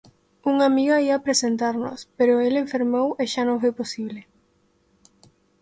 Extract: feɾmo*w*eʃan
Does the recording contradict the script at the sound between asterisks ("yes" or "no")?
no